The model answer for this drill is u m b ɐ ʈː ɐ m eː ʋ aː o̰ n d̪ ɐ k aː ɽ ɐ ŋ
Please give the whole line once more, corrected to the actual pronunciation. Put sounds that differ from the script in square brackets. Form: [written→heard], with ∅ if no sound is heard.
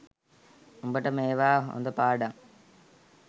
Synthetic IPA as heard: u m b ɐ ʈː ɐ m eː ʋ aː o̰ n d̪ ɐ [k→p] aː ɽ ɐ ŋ

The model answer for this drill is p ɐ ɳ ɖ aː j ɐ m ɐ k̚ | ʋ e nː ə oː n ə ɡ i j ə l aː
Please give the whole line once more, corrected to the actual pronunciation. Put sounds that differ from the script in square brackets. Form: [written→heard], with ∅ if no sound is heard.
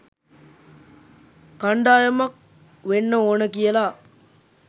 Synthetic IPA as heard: [p→k] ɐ ɳ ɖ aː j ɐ m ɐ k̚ | ʋ e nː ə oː n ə [ɡ→k] i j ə l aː

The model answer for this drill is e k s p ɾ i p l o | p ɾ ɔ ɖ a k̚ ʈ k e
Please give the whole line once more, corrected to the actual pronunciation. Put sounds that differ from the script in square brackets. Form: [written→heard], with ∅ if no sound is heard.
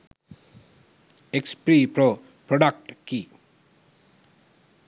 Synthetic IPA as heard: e k s p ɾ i p [l→ɾ] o | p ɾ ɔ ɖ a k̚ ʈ k [e→i]

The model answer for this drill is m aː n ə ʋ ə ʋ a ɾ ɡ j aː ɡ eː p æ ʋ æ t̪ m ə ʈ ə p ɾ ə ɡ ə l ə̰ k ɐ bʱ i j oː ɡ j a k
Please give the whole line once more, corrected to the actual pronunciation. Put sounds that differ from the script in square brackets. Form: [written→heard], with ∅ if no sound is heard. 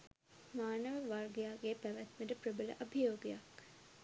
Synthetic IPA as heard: m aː n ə ʋ ə ʋ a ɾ ɡ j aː ɡ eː p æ ʋ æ t̪ m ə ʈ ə p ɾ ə [ɡ→b] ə l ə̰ [k→ʔ] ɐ bʱ i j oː ɡ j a k

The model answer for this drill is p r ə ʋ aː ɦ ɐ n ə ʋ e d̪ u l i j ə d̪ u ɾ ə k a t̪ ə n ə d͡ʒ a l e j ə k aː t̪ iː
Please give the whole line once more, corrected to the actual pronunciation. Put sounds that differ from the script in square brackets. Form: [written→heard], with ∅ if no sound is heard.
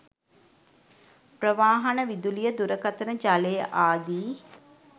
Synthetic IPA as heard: p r ə ʋ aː ɦ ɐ n ə ʋ [e→i] d̪ u l i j ə d̪ u ɾ ə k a t̪ ə n ə d͡ʒ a l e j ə [k→ʔ] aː [t̪→d̪] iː

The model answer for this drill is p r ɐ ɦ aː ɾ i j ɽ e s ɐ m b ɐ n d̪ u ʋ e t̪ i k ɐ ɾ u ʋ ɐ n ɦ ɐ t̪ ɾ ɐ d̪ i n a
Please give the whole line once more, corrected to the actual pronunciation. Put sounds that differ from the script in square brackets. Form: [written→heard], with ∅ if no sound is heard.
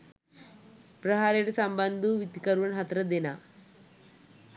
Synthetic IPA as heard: p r ɐ ɦ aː ɾ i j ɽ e s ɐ m b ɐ n d̪ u ʋ [e→i] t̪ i k ɐ ɾ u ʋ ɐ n ɦ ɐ t̪ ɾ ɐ d̪ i n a

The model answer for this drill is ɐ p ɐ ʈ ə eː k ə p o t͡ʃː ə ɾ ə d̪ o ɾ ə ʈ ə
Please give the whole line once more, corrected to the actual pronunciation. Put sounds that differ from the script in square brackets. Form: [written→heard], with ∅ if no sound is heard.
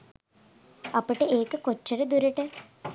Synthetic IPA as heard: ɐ p [ɐ→ə] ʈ ə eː k ə [p→k] o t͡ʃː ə ɾ ə d̪ [o→u] ɾ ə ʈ ə

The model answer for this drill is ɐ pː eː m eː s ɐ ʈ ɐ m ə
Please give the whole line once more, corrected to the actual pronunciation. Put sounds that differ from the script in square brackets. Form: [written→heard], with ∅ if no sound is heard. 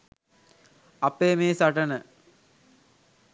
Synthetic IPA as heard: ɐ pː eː m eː s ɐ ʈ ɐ [m→n] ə

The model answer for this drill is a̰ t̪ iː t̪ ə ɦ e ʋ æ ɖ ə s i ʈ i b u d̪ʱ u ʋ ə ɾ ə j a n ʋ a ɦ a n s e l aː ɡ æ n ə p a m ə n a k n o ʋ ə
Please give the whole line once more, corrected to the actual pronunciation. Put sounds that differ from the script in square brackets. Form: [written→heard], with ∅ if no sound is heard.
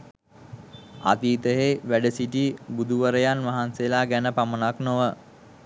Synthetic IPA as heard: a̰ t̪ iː t̪ ə ɦ e ʋ æ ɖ ə s i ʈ i b u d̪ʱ u ʋ ə ɾ ə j a n ʋ a ɦ a n s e l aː ɡ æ n ə p a m ə n a k n o ʋ ə

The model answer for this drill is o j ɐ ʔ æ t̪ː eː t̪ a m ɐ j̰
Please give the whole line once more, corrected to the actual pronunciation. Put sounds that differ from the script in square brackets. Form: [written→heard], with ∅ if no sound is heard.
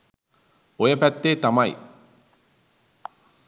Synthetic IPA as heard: o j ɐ [ʔ→p] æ t̪ː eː t̪ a m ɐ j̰

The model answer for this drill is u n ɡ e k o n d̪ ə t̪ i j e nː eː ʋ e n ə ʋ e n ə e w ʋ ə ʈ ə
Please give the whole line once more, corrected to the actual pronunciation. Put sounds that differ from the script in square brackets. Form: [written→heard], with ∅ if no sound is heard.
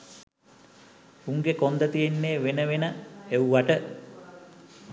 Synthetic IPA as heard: u [n→ŋ] ɡ e k o n d̪ ə t̪ i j e nː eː ʋ e n ə ʋ e n ə e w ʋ [ə→a] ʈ ə

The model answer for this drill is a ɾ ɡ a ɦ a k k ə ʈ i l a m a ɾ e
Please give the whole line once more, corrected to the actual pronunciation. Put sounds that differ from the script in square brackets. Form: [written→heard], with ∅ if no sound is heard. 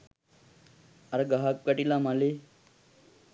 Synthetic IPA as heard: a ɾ ɡ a ɦ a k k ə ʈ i l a m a [ɾ→l] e

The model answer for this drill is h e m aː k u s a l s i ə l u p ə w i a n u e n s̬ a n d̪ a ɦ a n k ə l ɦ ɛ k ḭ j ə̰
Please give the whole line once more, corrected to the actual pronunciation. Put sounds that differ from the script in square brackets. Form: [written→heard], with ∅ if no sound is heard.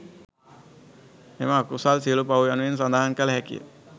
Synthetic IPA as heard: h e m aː k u s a l s i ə l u p [ə→a] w [i→j] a n u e n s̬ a n d̪ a ɦ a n k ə l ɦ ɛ k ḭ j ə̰

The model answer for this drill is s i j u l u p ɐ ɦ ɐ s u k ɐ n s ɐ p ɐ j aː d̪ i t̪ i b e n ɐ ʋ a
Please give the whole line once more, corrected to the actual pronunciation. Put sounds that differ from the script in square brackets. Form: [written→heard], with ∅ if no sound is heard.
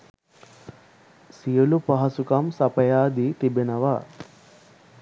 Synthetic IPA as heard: s i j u l u p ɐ ɦ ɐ s u k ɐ [n→m] s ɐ p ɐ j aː d̪ i t̪ i b e n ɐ ʋ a

